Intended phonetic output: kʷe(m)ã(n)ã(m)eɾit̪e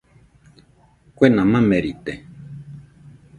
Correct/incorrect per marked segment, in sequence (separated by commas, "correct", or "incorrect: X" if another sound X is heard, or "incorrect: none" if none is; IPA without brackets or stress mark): incorrect: n, incorrect: m, correct